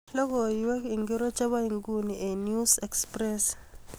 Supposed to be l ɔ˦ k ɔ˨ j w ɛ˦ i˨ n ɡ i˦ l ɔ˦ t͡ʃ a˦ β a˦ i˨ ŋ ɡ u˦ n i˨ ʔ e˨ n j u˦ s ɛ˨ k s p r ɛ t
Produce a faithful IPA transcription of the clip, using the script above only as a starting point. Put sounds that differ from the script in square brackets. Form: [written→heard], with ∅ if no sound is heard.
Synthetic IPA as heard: l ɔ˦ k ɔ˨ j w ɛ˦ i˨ [n→ŋ] ɡ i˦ [l→ɾ] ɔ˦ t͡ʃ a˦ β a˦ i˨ ŋ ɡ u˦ n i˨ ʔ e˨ n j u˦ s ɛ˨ k s p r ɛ [t→s]